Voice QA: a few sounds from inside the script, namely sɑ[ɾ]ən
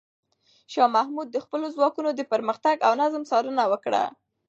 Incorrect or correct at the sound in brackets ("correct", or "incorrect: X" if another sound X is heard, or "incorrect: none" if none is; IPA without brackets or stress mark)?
correct